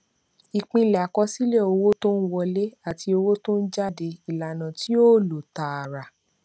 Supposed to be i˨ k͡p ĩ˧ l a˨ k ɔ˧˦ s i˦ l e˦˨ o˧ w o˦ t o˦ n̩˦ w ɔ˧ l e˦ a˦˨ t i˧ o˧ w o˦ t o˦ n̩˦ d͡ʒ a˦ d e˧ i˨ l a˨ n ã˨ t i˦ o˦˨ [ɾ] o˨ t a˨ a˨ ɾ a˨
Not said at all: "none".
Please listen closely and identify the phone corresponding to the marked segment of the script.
l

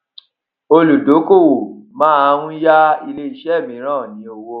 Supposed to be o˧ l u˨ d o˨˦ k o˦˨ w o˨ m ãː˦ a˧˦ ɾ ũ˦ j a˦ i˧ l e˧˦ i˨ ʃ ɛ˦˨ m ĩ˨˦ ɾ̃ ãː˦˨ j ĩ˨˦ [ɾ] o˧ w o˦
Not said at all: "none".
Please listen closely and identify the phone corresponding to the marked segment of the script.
none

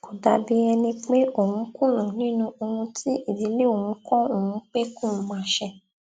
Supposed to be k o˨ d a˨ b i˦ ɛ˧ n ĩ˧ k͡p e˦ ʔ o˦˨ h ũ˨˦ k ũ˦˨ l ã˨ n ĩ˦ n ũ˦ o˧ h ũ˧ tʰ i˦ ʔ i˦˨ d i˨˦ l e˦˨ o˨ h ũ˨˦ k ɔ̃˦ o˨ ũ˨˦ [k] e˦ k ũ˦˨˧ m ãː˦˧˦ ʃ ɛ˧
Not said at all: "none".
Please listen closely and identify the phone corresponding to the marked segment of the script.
k͡p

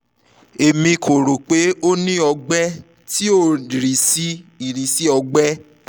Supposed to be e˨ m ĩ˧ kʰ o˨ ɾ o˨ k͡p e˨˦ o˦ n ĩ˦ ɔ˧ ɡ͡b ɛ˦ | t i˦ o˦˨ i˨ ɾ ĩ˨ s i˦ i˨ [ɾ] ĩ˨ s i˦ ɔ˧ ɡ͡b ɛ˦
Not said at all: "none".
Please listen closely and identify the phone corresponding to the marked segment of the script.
ɾ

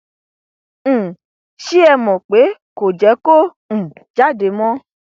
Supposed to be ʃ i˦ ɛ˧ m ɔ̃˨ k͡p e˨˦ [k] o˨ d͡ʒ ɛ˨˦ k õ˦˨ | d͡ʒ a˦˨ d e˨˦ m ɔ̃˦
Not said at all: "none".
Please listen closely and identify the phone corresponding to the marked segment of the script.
k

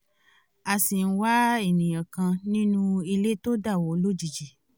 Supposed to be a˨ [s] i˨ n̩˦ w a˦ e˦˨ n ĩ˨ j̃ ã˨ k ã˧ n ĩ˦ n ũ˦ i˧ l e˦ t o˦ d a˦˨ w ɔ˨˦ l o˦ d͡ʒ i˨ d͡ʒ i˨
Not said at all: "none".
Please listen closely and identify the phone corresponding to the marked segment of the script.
s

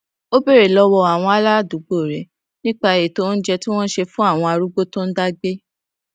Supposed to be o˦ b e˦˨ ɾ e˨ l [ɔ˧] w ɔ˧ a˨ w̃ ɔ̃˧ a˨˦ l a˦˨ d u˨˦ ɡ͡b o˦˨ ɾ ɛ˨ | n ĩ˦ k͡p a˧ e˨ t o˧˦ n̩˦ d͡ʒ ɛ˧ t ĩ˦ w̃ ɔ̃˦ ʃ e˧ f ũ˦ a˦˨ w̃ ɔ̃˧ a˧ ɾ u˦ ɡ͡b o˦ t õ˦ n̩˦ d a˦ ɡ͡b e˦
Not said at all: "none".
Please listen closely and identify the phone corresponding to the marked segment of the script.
ɔ˧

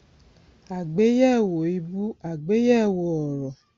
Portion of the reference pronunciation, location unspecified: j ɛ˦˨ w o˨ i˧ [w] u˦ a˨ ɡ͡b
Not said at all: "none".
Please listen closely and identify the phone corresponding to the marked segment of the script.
b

